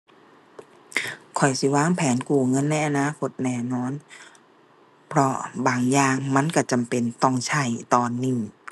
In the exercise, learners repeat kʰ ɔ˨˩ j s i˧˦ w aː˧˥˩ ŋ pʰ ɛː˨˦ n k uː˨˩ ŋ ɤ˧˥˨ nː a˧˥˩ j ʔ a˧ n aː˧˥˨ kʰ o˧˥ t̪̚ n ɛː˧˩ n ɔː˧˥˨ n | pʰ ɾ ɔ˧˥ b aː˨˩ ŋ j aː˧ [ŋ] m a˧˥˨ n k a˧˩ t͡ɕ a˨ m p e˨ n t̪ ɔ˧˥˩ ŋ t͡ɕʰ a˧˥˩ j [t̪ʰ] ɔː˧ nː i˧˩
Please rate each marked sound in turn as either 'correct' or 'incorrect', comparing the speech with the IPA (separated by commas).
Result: correct, incorrect